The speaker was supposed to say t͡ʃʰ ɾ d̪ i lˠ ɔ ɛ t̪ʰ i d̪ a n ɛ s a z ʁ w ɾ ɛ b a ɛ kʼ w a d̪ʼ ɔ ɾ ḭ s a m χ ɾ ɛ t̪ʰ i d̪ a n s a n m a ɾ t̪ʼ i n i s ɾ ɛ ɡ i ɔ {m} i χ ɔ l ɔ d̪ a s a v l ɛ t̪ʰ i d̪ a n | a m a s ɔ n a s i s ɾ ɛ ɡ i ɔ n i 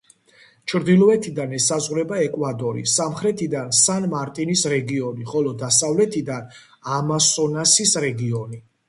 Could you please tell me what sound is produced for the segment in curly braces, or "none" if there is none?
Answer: n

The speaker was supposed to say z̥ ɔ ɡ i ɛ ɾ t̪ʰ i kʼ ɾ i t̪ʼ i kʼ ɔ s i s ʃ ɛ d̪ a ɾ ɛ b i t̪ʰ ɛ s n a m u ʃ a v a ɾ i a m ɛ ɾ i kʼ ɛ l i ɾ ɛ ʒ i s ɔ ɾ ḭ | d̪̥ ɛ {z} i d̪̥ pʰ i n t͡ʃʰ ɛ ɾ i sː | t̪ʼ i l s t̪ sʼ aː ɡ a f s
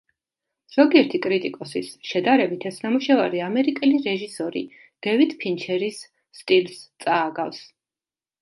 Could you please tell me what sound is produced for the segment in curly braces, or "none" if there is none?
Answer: v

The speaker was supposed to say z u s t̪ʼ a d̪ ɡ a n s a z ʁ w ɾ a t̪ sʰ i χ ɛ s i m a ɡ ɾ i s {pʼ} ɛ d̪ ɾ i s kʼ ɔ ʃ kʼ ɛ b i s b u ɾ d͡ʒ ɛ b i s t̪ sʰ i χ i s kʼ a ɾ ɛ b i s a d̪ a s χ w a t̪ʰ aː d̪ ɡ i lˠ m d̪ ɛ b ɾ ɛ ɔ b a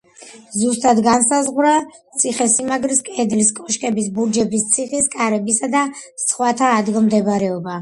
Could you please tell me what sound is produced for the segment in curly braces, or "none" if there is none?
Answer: kʼ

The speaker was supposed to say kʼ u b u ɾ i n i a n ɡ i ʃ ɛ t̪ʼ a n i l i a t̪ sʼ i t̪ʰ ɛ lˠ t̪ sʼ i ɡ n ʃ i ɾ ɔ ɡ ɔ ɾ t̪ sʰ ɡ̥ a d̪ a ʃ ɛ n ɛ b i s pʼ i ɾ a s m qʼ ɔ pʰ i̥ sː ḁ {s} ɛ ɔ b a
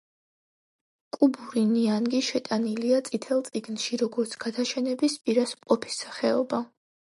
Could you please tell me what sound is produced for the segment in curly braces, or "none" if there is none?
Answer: χ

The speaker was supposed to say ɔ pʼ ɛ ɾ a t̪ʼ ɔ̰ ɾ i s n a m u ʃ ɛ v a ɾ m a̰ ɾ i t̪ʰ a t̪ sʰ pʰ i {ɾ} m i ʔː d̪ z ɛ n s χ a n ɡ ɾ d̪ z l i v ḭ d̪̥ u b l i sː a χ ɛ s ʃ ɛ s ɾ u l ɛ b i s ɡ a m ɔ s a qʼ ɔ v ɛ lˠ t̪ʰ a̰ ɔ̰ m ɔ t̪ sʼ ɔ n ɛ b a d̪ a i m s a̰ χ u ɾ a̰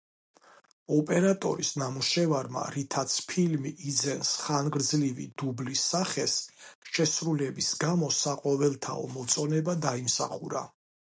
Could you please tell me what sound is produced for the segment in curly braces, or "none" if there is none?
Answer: l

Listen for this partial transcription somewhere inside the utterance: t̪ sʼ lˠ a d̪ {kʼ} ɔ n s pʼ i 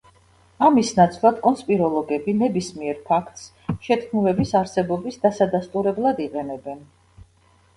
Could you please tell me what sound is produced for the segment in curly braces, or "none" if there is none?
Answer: kʼ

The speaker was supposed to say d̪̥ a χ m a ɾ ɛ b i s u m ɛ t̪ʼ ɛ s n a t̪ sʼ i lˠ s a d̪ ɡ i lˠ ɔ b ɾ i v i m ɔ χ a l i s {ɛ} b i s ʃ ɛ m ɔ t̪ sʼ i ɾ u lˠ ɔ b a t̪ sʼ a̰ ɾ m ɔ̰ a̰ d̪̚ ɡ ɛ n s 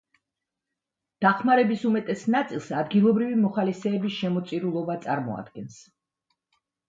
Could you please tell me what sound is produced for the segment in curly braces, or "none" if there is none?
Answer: ɛː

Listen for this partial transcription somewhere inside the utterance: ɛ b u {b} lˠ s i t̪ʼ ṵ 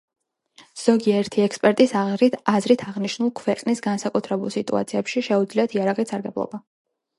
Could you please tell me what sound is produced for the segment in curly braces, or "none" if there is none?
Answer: none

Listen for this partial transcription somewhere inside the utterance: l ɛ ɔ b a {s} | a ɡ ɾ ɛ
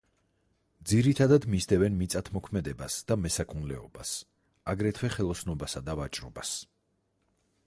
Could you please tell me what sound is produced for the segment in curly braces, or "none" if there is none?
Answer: s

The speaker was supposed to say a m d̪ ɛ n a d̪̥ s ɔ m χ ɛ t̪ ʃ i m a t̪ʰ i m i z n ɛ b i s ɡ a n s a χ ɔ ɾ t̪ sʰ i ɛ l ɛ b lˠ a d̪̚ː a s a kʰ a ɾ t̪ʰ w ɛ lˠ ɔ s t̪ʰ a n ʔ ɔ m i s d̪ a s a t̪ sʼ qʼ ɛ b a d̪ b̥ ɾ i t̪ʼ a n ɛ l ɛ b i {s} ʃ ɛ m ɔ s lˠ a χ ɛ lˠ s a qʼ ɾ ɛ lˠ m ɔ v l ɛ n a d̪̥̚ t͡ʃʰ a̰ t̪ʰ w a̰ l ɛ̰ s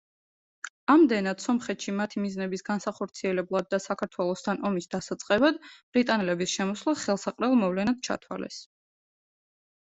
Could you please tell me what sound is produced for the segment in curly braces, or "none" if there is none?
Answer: s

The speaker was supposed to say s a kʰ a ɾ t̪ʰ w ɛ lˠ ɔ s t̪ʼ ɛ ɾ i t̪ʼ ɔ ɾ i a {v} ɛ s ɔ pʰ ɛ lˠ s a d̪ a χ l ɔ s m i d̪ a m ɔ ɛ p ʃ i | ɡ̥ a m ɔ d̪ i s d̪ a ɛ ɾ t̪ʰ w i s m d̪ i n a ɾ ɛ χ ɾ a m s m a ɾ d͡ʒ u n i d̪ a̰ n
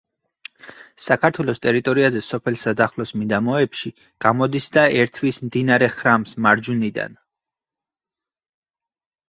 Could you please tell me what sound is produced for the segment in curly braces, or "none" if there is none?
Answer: z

